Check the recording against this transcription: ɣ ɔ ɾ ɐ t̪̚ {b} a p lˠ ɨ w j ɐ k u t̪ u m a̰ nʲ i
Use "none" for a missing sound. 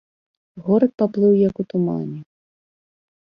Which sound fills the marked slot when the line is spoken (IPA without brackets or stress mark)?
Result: p